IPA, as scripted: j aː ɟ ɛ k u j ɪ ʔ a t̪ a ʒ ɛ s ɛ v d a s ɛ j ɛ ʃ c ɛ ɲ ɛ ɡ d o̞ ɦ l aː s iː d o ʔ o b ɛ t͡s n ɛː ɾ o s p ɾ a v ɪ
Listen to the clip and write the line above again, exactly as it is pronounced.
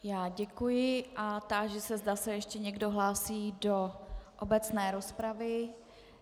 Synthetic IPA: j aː ɟ ɛ k u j ɪ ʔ a t̪ a ʒ ɛ s ɛ z d a s ɛ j ɛ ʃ c ɛ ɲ ɛ ɡ d o̞ ɦ l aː s iː d o ʔ o b ɛ t͡s n ɛː ɾ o s p ɾ a v ɪ